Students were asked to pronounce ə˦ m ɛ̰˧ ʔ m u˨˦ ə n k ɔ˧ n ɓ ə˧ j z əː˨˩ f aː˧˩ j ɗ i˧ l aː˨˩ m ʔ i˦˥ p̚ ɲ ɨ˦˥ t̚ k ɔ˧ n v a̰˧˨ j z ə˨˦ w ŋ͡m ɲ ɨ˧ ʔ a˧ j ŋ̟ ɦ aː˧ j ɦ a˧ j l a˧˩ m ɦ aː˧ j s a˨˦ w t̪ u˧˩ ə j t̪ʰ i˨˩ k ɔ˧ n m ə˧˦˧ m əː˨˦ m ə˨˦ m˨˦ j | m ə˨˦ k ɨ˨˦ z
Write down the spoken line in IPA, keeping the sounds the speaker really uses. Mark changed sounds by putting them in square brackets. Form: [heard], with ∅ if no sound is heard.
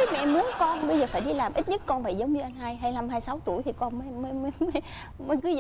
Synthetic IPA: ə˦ m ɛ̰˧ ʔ m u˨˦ ə n k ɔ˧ n ɓ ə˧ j z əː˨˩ f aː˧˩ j ɗ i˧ l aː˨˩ m ʔ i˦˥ [t̚] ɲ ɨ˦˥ t̚ k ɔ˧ n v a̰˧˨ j z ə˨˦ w ŋ͡m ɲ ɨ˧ ʔ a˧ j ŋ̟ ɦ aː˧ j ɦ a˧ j l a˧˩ m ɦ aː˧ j s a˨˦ w t̪ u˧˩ ə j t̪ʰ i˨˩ k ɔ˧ n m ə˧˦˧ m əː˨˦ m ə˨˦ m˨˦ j | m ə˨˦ k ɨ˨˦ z

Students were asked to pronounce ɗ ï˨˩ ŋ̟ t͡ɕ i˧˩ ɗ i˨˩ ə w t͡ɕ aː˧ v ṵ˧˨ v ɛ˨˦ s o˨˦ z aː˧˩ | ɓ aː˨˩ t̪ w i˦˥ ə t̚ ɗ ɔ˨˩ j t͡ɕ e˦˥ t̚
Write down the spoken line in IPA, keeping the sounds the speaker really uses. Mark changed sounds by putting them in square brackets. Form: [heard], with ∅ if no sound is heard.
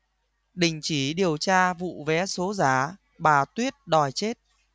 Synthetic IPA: ɗ ï˨˩ ŋ̟ t͡ɕ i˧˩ ɗ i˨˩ ə w t͡ɕ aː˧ v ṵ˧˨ v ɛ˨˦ s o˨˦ z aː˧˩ | ɓ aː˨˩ t̪ w i˦˥ ə t̚ ɗ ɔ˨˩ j t͡ɕ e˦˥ t̚

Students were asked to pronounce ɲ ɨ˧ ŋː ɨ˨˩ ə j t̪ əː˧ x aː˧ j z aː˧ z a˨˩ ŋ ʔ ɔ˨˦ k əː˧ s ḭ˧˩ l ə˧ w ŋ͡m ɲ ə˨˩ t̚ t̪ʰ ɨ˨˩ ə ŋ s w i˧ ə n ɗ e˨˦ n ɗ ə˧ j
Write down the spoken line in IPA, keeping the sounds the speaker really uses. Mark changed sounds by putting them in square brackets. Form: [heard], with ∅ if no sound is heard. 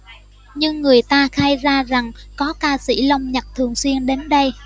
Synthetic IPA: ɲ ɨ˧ ŋː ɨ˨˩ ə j t̪ [aː˧] x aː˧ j z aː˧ z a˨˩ ŋ [k] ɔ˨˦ k [aː˧] s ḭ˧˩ l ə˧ w ŋ͡m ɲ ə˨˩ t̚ t̪ʰ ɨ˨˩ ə ŋ s w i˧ ə n ɗ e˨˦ n ɗ ə˧ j

